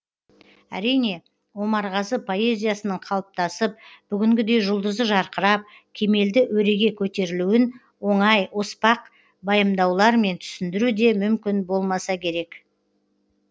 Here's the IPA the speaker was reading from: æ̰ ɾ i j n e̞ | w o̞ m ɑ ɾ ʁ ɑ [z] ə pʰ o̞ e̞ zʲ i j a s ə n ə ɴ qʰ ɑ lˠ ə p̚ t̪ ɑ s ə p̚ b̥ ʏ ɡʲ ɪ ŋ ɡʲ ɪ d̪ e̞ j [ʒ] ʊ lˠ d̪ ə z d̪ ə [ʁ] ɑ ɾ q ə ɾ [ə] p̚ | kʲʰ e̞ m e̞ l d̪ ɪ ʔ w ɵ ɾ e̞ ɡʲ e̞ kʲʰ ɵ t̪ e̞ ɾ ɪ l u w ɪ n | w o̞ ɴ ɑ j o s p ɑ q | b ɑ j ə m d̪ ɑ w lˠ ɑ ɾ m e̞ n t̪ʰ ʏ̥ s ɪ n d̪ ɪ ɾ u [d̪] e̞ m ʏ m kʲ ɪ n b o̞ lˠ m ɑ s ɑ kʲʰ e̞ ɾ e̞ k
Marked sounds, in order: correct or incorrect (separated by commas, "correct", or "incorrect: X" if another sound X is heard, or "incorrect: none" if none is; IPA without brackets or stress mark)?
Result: correct, correct, incorrect: ʒ, incorrect: ɑ, correct